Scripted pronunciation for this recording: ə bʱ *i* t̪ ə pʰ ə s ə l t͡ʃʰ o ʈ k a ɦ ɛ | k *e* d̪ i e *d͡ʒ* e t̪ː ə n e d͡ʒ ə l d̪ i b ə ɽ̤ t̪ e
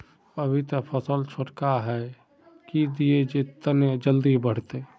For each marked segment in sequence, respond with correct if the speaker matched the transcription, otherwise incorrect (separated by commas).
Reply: correct, incorrect, correct